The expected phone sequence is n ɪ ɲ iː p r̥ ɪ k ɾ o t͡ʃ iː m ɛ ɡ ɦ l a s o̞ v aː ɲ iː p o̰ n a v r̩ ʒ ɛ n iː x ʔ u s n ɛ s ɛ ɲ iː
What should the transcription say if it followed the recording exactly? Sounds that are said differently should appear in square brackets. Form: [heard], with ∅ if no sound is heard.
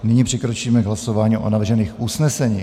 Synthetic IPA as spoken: n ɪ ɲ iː p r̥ ɪ k ɾ o t͡ʃ iː m ɛ ɡ ɦ l a s o̞ v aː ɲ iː [ʔ] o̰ n a v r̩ ʒ ɛ n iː x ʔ u s n ɛ s ɛ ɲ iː

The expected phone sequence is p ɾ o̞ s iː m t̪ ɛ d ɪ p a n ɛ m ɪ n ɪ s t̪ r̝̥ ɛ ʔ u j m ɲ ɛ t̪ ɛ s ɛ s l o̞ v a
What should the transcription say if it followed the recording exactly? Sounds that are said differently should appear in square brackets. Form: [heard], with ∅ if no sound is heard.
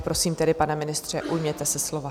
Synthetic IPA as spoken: p ɾ o̞ s iː m t̪ ɛ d ɪ p a n ɛ m ɪ n ɪ s t̪ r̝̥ ɛ ʔ u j m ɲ ɛ t̪ ɛ s ɛ s l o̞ v a

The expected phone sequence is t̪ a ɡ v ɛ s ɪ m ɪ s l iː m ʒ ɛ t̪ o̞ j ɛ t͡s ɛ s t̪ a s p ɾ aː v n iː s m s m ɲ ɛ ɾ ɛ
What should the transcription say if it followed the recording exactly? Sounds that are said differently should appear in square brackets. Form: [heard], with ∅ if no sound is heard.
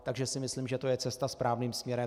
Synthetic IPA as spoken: t̪ a ɡ [ʒ] ɛ s ɪ m ɪ s l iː m ʒ ɛ t̪ o̞ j ɛ t͡s ɛ s t̪ a s p ɾ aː v n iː [∅] m s m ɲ ɛ ɾ ɛ

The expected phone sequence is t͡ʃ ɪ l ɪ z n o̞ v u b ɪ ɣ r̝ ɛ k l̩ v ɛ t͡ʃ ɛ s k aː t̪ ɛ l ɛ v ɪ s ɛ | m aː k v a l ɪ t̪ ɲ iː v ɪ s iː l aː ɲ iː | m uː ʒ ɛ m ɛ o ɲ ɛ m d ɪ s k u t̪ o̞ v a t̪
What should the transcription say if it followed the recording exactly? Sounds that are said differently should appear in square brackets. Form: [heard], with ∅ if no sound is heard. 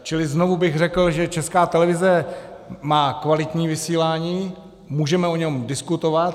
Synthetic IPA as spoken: t͡ʃ ɪ l ɪ z n o̞ v u b ɪ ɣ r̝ ɛ k l̩ [ʒ] ɛ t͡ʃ ɛ s k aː t̪ ɛ l ɛ v ɪ [z] ɛ | m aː k v a l ɪ t̪ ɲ iː v ɪ s iː l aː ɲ iː | m uː ʒ ɛ m ɛ o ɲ ɛ m d ɪ s k u t̪ o̞ v a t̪

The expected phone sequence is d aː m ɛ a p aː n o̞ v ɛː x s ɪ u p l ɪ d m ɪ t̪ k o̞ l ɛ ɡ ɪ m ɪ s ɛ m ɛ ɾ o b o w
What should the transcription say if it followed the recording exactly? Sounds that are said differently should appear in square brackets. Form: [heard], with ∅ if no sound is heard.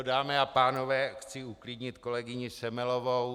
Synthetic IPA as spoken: d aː m ɛ a p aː n o̞ v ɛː x [t͡s] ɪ u [k] l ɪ d [ɲ] ɪ t̪ k o̞ l ɛ ɡ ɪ [ɲ] ɪ s ɛ m ɛ [l] o [v] o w

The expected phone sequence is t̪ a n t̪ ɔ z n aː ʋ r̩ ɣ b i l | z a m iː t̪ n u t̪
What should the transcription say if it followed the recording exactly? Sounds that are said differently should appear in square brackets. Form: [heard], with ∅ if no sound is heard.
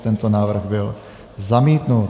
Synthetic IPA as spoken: t̪ [ɛ] n t̪ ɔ [∅] n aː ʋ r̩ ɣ b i l | z a m iː t̪ n u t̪

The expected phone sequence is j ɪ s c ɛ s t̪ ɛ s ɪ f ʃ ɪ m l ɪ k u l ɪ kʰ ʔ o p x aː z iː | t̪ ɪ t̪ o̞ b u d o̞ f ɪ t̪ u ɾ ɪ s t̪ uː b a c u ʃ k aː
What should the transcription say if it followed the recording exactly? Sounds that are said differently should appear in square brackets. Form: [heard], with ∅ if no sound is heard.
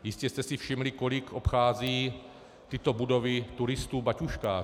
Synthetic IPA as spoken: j ɪ s c ɛ s t̪ ɛ s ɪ f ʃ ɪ m l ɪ k [o] l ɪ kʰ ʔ o p x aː z iː | t̪ ɪ t̪ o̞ b u d o̞ [v] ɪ t̪ u ɾ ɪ s t̪ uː b a c u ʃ k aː

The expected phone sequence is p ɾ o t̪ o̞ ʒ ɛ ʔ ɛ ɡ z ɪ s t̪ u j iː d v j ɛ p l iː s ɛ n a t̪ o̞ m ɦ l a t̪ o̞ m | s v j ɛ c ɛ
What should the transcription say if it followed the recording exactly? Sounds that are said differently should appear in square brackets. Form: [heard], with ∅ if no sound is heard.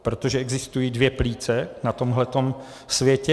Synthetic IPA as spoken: p ɾ o t̪ o̞ ʒ ɛ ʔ ɛ ɡ z ɪ s t̪ u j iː d v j ɛ p l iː [t͡s] ɛ n a t̪ o̞ m ɦ l [ɛ] t̪ o̞ m | s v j ɛ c ɛ

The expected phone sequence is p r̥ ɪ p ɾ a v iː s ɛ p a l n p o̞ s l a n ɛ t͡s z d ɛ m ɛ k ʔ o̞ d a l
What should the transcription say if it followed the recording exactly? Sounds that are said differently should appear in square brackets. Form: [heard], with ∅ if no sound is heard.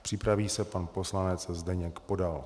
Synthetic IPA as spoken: p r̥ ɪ p ɾ a v iː s ɛ p a [∅] n p o̞ s l a n ɛ t͡s z d ɛ [ɲ] ɛ k [p] o̞ d a l

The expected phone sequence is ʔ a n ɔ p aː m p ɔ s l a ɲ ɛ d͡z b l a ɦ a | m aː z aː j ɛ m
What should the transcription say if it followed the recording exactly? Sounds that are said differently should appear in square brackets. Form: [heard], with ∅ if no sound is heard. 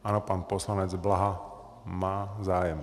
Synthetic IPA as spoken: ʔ a n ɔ p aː [n] p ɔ s l a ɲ ɛ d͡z b l a ɦ a | m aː z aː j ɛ m

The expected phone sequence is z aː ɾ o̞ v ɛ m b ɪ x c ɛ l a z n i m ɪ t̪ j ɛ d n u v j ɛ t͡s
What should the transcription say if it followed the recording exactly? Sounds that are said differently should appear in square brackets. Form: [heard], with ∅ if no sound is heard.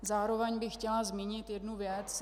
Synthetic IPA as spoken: z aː ɾ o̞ v ɛ [ɲ] b ɪ x c ɛ l a z [m] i [ɲ] ɪ t̪ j ɛ d n u v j ɛ t͡s

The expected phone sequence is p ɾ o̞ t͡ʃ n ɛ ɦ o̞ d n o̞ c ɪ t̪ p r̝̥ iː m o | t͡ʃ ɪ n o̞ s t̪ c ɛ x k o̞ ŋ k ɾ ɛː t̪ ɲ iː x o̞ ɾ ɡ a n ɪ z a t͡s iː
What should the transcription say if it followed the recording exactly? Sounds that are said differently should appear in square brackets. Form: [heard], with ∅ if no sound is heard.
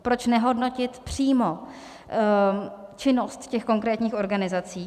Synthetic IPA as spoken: p ɾ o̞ t͡ʃ n ɛ ɦ o̞ d n o̞ c ɪ t̪ p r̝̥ iː m o | t͡ʃ ɪ n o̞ s t̪ c ɛ x k o̞ ŋ k ɾ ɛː t̪ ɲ iː x o̞ ɾ ɡ a n ɪ z a t͡s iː

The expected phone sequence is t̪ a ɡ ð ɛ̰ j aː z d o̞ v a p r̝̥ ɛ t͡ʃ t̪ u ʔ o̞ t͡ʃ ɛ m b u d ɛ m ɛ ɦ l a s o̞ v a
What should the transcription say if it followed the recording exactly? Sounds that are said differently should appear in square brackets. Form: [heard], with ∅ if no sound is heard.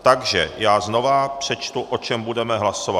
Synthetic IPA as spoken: t̪ a ɡ [ʒ] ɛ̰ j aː z [n] o̞ v a p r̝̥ ɛ t͡ʃ t̪ u ʔ o̞ t͡ʃ ɛ m b u d ɛ m ɛ ɦ l a s o̞ v a

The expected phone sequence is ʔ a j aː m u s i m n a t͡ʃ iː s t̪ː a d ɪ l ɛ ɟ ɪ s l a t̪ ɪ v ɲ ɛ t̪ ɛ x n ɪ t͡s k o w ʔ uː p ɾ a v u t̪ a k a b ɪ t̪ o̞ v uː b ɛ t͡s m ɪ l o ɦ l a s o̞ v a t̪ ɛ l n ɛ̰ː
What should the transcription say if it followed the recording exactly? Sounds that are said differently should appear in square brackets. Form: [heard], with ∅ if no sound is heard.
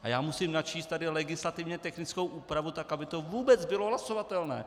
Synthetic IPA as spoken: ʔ a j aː m u s i m n a t͡ʃ iː s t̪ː a d ɪ l ɛ [ɡ] ɪ s l a t̪ ɪ v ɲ ɛ t̪ ɛ x n ɪ t͡s k o w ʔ uː p ɾ a v u t̪ a k a b ɪ t̪ o̞ v uː b ɛ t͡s [b] ɪ l o ɦ l a s o̞ v a t̪ ɛ l n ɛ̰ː

